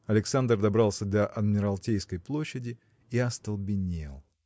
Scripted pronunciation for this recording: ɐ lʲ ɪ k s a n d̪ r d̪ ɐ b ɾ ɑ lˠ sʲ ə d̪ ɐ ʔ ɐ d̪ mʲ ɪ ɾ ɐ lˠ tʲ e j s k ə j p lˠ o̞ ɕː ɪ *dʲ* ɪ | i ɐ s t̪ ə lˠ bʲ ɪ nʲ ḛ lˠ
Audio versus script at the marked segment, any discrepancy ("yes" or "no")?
no